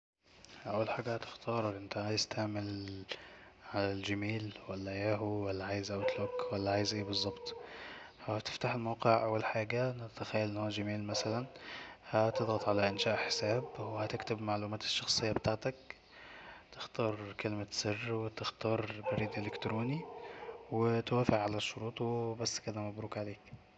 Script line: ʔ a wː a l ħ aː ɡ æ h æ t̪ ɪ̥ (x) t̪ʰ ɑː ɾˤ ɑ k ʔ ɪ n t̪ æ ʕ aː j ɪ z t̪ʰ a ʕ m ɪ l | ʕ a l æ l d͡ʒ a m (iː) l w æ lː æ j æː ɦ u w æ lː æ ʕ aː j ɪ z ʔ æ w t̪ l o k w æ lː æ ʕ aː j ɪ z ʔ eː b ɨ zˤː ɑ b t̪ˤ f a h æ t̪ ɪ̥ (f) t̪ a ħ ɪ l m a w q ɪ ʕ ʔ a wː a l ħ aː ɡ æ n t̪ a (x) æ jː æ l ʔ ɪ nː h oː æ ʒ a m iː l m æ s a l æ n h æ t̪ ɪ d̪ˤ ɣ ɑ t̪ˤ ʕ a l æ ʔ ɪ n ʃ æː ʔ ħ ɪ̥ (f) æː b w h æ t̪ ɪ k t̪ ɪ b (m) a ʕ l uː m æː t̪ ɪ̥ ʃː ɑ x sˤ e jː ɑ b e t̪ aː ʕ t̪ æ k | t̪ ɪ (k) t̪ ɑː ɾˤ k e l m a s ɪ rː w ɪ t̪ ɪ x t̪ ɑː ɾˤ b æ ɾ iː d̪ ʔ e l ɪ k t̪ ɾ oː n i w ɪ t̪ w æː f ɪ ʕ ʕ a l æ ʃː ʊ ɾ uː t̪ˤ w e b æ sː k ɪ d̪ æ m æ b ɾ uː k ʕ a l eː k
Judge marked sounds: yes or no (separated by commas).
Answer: yes, yes, yes, yes, no, yes, no